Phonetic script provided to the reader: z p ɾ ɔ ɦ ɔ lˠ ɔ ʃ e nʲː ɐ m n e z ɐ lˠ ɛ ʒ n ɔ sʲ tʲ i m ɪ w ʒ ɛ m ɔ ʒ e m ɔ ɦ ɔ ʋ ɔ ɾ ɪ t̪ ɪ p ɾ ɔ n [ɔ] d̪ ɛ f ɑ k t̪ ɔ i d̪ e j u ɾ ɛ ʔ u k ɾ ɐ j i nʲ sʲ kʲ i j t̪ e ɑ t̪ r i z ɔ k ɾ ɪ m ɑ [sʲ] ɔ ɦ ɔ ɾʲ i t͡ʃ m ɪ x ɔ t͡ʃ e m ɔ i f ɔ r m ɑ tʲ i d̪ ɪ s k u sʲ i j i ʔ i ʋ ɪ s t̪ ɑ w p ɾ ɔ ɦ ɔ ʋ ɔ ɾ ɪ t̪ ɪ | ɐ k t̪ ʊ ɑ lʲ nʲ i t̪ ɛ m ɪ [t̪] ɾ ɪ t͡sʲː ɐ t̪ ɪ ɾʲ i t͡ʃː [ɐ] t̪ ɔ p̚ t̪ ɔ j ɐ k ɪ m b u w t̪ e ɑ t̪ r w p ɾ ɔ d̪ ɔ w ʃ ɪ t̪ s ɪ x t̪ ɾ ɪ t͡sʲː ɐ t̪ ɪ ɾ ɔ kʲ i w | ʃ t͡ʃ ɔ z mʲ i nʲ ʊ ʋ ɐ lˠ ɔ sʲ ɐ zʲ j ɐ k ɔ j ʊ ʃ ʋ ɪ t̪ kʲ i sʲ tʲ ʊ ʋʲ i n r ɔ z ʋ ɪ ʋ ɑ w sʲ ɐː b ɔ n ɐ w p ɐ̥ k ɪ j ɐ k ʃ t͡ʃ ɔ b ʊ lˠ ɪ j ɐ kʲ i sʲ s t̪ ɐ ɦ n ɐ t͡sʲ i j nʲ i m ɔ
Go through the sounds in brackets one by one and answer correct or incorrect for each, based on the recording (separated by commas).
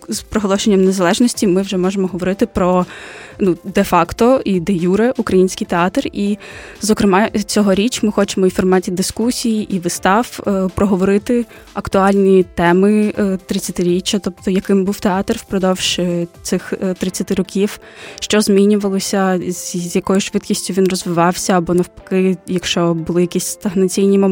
incorrect, incorrect, correct, correct